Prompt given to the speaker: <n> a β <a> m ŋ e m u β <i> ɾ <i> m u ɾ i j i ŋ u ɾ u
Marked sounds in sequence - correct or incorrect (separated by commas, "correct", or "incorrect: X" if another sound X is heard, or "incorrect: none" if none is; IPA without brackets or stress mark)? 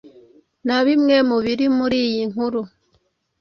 correct, incorrect: i, correct, correct